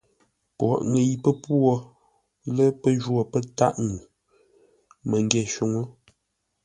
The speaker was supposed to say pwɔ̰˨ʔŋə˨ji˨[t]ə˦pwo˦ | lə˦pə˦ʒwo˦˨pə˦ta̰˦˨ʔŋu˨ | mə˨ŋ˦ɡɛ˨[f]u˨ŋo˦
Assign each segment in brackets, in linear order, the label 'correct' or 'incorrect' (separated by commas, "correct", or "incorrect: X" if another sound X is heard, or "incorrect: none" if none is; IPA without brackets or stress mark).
incorrect: p, incorrect: ʃ